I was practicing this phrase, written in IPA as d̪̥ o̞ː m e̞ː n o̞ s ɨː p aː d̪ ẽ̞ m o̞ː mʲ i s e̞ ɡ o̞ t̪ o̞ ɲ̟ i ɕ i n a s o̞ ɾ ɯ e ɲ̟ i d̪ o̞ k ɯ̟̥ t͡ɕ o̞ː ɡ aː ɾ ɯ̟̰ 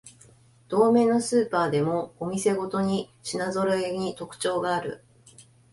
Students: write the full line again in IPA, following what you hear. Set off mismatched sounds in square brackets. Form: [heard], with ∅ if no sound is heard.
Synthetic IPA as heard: d̪̥ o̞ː m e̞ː n o̞ s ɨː p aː d̪ [e̞] m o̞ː mʲ i s e̞ ɡ o̞ t̪ o̞ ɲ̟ i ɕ i n a [z] o̞ ɾ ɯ e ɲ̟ i [t̪] o̞ k ɯ̟̥ t͡ɕ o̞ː ɡ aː ɾ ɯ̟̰

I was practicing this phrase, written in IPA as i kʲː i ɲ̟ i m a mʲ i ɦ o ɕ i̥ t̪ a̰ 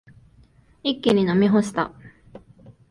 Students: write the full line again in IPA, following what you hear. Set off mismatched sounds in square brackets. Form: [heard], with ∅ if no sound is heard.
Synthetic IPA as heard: i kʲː i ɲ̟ i [n] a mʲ i ɦ o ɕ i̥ t̪ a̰

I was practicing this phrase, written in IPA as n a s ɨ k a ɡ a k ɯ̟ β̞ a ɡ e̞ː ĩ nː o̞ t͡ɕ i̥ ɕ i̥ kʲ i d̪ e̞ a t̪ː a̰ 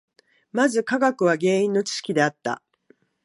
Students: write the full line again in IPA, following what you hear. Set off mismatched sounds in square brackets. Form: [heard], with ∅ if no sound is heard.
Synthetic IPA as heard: [m] a [z] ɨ k a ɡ a k ɯ̟ β̞ a ɡ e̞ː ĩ nː o̞ t͡ɕ i̥ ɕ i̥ kʲ i d̪ e̞ a t̪ː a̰

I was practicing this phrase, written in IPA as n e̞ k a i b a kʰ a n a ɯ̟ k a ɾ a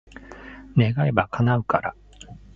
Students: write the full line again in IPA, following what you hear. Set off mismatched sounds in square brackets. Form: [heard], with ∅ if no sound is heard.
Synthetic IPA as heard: n e̞ [ɡ] a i b a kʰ a n a ɯ̟ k a ɾ a

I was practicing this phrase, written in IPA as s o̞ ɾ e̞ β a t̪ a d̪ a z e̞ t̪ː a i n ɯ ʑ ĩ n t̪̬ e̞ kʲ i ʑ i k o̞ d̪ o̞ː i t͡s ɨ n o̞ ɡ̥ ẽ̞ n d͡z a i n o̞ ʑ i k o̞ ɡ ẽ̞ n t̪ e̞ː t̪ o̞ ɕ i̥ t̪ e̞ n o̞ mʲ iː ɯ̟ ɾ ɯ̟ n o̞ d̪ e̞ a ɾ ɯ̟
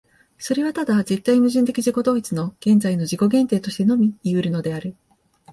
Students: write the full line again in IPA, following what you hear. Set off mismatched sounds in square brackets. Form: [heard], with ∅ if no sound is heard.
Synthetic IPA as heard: s o̞ ɾ e̞ β a t̪ a d̪ a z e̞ t̪ː a i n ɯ ʑ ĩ n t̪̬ e̞ kʲ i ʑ i k o̞ d̪ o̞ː i t͡s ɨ n o̞ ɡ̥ ẽ̞ n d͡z a i n o̞ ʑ i k o̞ ɡ ẽ̞ n t̪ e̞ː t̪ o̞ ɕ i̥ t̪ e̞ n o̞ mʲ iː ɯ̟ ɾ ɯ̟ n o̞ d̪ e̞ a ɾ ɯ̟

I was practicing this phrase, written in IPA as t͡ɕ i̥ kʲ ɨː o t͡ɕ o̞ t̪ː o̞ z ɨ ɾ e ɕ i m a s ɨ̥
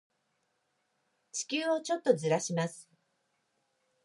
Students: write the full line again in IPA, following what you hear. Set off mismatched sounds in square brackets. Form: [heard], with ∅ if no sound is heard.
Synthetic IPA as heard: t͡ɕ i̥ kʲ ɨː o t͡ɕ o̞ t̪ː o̞ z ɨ ɾ [a] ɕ i m a s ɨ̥

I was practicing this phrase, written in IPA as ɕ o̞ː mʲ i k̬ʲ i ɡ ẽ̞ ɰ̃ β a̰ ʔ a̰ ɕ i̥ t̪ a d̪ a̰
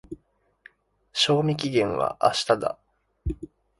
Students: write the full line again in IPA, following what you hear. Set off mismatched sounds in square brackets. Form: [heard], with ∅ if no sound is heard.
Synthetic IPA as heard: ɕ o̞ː mʲ i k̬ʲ i ɡ ẽ̞ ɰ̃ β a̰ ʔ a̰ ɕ i̥ t̪ a d̪ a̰

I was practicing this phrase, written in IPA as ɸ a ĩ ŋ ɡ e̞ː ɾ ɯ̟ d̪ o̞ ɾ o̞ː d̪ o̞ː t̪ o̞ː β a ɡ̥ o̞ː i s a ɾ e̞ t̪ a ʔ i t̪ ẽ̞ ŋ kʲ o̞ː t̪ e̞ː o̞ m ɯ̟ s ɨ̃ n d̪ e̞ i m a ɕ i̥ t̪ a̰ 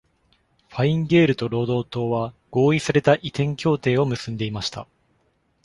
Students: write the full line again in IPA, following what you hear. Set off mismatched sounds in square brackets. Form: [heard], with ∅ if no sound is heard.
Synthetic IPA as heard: ɸ a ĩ ŋ ɡ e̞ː ɾ ɯ̟ [t̪] o̞ ɾ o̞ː d̪ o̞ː t̪ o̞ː β a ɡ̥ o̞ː i s a ɾ e̞ t̪ a ʔ i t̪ ẽ̞ ŋ kʲ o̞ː t̪ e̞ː o̞ m ɯ̟ s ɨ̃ n d̪ e̞ i m a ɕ i̥ t̪ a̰

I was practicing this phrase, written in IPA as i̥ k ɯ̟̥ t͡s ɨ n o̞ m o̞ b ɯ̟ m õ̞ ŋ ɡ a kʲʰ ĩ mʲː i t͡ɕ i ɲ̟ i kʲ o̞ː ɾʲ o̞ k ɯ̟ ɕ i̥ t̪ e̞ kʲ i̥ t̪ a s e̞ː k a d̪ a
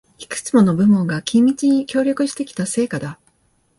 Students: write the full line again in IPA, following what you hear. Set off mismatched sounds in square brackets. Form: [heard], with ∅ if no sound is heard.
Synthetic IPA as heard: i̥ k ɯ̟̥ t͡s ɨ [m] o̞ [n] o̞ b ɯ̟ m õ̞ ŋ ɡ a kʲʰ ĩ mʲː i t͡ɕ i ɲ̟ i kʲ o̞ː ɾʲ o̞ k ɯ̟ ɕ i̥ t̪ e̞ kʲ i̥ t̪ a s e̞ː k a d̪ a

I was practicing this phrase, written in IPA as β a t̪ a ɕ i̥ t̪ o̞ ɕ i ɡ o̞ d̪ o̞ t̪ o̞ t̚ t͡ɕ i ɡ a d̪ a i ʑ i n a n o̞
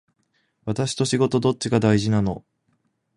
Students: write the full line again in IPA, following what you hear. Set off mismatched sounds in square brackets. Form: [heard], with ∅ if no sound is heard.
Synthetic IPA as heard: β a t̪ a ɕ i̥ t̪ o̞ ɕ i ɡ o̞ [t̪] o̞ [d̪] o̞ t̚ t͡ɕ i ɡ a d̪ a i ʑ i n a n o̞

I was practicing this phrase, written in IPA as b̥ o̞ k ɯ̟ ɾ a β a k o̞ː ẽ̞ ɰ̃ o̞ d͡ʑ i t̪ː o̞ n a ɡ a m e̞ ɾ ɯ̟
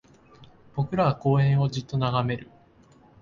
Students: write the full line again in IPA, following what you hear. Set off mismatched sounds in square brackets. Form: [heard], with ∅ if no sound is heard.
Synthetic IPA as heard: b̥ o̞ k ɯ̟ ɾ a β a k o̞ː ẽ̞ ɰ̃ o̞ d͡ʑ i t̪ː o̞ n a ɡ a m e̞ ɾ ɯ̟

